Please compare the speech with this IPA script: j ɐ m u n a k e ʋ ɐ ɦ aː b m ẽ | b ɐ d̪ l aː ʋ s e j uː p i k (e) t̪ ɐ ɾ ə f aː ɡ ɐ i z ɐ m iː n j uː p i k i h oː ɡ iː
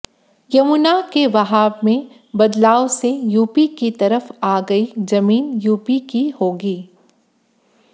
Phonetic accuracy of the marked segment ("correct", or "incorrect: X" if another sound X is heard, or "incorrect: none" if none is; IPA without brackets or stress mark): incorrect: i